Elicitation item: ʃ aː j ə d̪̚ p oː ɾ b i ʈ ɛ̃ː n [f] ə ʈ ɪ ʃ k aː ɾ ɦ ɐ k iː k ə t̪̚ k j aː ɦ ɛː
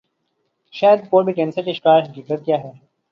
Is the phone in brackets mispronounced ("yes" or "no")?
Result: yes